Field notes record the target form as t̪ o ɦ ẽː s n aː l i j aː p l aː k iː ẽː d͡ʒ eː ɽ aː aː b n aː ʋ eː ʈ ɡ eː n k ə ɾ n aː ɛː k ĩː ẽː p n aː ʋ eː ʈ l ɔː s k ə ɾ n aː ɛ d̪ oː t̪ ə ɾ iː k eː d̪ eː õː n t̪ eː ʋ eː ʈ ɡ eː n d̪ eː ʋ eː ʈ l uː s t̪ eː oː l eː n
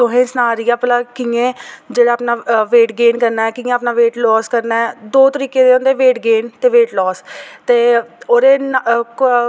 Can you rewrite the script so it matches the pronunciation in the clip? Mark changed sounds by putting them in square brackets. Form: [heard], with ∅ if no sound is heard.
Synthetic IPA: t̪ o ɦ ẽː s n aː [ɾ] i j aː p l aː k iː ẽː d͡ʒ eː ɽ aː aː [p] n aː ʋ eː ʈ ɡ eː n k ə ɾ n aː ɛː k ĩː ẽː p n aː ʋ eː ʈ l ɔː s k ə ɾ n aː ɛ d̪ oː t̪ ə ɾ iː k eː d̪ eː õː n [d̪] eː ʋ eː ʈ ɡ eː n [t̪] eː ʋ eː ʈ l [ɔː] s t̪ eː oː [ɾ] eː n